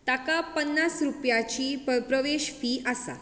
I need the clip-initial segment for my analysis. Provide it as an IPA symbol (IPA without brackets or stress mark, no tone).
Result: t̪